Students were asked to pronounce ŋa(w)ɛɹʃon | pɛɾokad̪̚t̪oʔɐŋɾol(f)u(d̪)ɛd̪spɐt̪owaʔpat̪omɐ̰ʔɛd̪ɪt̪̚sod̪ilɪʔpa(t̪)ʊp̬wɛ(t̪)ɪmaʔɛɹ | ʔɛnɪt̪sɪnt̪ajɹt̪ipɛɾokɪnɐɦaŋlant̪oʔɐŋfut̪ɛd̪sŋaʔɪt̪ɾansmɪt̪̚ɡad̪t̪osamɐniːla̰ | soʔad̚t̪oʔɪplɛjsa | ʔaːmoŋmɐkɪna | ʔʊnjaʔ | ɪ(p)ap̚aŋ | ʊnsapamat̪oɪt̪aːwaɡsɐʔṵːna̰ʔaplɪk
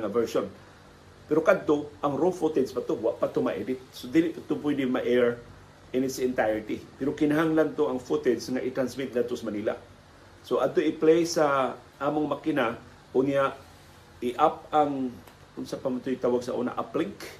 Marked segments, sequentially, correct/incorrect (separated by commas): incorrect, correct, incorrect, correct, incorrect, incorrect